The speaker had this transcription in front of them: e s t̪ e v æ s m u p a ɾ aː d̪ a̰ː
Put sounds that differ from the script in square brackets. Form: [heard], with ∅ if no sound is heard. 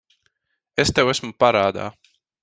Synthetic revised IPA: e s t̪ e [w] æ s m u p a ɾ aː d̪ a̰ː